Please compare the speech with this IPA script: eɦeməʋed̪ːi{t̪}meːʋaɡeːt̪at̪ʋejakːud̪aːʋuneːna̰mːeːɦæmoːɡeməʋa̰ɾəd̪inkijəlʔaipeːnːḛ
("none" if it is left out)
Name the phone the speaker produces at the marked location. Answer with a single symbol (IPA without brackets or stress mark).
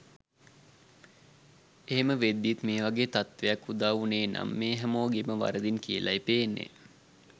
t̪